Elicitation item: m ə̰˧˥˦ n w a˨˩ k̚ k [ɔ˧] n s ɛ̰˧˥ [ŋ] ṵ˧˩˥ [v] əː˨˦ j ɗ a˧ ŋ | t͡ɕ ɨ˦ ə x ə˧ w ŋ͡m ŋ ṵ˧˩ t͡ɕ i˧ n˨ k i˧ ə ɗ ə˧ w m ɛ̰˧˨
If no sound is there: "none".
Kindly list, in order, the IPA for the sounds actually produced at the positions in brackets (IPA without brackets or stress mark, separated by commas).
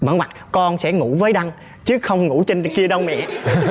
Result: ɔ˧, ŋ, v